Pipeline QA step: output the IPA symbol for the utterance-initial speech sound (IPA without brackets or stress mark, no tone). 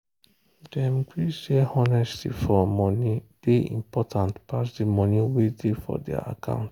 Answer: d